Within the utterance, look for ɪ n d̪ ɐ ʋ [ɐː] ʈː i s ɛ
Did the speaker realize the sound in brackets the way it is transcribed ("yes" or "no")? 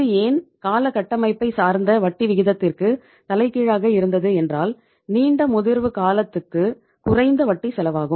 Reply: no